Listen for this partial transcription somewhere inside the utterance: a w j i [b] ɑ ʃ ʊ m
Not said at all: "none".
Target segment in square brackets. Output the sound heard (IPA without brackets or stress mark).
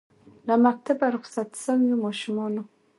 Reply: m